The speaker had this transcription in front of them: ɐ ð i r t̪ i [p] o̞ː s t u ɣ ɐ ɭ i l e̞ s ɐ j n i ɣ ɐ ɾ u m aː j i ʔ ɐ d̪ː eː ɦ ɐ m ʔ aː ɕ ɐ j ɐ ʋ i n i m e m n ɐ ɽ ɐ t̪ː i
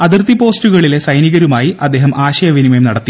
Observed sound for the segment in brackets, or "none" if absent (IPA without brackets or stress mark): p